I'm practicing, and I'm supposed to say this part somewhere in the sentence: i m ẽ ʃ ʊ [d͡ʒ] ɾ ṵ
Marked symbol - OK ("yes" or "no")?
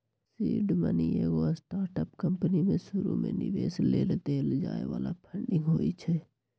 no